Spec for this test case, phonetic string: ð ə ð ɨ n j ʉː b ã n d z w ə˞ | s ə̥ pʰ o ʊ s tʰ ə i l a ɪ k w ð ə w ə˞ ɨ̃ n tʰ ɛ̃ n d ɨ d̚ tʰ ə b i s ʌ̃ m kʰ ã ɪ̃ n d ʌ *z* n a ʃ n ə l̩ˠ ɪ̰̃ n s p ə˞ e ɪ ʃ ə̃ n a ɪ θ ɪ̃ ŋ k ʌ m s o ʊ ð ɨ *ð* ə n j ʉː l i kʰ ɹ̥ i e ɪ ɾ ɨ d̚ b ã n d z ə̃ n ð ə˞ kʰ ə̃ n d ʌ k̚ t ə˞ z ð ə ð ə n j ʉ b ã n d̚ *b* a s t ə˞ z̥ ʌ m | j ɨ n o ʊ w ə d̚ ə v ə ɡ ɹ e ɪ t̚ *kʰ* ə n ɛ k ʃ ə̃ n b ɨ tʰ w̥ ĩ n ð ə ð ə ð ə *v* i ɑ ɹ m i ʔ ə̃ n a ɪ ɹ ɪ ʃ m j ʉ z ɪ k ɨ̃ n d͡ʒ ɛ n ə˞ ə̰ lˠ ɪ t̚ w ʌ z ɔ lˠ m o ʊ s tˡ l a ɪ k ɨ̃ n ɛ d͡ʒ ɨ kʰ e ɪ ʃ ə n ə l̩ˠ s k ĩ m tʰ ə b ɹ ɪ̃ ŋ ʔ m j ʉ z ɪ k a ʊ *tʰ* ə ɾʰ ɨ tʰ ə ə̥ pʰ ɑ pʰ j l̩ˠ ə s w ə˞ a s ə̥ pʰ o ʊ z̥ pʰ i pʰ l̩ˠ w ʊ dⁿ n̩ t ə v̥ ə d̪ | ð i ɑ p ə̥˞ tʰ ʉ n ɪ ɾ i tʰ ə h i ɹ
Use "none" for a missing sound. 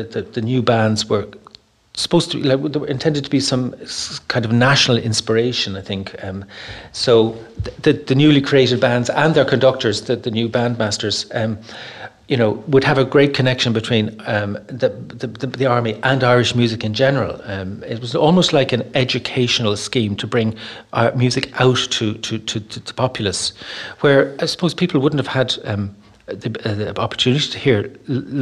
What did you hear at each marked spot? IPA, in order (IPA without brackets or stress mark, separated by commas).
v, ð, m, kʰ, ð, tʰ